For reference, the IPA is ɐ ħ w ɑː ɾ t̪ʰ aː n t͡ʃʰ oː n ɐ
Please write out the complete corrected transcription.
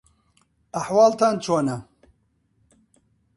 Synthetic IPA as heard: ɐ ħ w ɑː l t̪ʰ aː n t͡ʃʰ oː n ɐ